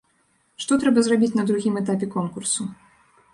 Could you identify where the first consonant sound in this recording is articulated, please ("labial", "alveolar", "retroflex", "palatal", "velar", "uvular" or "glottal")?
retroflex